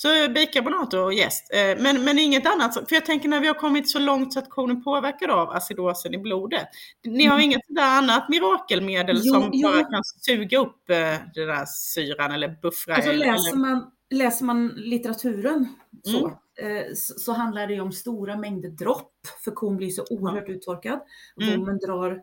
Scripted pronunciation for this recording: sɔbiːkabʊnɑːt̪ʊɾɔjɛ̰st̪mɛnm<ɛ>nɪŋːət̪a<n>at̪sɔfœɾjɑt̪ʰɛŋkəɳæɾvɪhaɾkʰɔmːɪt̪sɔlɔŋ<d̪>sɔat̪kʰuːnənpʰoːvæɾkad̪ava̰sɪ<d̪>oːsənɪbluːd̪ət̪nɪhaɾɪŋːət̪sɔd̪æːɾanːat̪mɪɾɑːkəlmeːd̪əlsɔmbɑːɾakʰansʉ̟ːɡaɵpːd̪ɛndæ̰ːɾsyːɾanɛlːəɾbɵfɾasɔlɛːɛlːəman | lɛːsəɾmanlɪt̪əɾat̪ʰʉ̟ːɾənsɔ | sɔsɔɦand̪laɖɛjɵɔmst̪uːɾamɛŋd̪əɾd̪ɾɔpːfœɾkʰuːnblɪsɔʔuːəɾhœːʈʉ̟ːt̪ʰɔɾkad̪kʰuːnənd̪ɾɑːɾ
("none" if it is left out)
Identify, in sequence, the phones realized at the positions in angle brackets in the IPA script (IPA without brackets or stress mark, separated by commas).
ɛ, nː, t̪, d̪